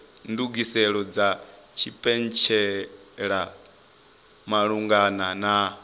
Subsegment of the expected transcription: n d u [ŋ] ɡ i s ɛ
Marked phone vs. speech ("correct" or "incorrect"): incorrect